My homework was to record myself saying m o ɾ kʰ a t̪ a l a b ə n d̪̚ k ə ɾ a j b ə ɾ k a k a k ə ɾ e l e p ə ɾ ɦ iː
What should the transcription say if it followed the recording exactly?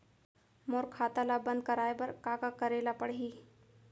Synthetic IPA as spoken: m o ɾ kʰ a t̪ a l a b ə n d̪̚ k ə ɾ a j b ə ɾ k a k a k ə ɾ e l a p ə ɽ ɦ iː